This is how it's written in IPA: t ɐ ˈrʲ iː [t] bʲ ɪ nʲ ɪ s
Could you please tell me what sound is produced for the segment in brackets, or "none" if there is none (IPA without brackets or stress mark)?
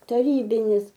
none